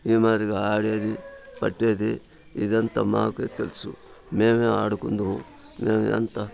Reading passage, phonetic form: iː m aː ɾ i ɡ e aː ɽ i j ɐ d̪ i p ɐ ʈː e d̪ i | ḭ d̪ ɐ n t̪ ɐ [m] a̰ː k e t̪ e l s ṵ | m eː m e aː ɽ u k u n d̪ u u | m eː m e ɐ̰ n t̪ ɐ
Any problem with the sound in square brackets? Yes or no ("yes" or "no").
no